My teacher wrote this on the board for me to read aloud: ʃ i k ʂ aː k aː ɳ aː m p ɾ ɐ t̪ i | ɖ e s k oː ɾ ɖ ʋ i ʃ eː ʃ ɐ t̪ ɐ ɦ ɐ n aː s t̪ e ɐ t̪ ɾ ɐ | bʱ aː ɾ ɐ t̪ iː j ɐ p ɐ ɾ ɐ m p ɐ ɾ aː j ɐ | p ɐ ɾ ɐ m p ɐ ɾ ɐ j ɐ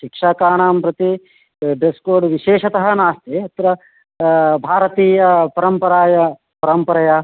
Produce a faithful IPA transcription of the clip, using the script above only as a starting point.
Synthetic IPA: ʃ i k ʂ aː k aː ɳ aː m p ɾ ɐ t̪ i | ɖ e s k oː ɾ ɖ ʋ i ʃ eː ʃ ɐ t̪ ɐ ɦ ɐ n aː s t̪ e ɐ t̪ ɾ ɐ | bʱ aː ɾ ɐ t̪ iː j ɐ p ɐ ɾ ɐ m p ɐ ɾ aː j ɐ | p ɐ ɾ ɐ m p ɐ ɾ ɐ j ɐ